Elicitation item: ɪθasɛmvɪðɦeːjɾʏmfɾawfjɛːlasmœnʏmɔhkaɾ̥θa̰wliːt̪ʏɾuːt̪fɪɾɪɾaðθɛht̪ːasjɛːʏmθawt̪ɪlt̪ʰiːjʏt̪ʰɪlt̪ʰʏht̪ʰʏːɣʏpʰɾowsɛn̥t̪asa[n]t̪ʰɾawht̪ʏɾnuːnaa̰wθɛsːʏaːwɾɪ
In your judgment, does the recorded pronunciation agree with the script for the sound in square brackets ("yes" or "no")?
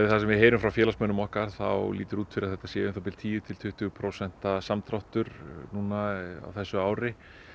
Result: no